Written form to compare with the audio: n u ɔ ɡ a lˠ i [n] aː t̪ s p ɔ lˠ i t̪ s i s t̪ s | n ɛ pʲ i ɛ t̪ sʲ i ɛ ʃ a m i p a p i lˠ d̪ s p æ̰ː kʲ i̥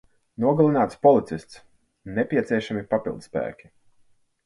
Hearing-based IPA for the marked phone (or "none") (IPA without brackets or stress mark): n